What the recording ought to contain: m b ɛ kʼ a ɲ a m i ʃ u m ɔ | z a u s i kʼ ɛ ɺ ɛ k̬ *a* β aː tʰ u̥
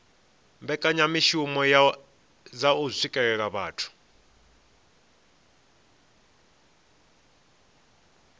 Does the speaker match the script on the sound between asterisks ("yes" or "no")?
yes